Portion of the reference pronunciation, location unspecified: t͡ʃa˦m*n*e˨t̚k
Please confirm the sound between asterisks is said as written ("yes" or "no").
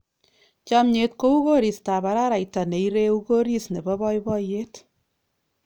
no